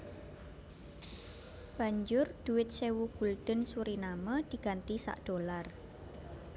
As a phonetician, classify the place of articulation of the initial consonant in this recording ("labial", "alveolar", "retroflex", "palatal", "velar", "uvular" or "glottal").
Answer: labial